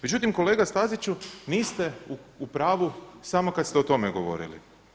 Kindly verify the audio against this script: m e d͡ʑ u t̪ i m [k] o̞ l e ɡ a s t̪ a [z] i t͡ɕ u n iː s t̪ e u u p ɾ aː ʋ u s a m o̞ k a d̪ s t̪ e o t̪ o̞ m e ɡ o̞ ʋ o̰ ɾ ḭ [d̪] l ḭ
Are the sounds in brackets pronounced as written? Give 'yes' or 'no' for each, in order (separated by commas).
yes, yes, no